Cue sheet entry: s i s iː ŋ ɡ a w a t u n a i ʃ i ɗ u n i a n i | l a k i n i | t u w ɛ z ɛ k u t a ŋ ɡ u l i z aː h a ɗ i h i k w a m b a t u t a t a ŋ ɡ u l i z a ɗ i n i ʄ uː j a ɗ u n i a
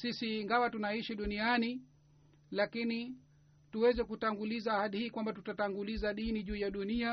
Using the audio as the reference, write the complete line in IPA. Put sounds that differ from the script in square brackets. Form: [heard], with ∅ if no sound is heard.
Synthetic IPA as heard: s i s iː ŋ ɡ a w a t u n a i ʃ i ɗ u n i a n i | l a k i n i | t u w ɛ z ɛ k u t a ŋ ɡ u l i z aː h a ɗ i h [iː] k w a m b a t u t a t a ŋ ɡ u l i z a ɗ i n i ʄ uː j a ɗ u n i a